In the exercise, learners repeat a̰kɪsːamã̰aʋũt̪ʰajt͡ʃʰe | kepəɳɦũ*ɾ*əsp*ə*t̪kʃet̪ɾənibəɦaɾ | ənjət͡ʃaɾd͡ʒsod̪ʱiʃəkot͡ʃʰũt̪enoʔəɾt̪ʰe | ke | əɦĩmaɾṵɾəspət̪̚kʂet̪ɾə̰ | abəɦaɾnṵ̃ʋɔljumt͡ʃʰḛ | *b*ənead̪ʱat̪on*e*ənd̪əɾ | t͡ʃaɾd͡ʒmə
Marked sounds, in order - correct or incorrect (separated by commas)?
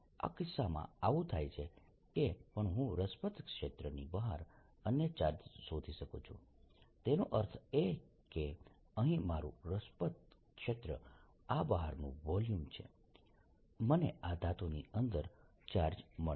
correct, correct, incorrect, incorrect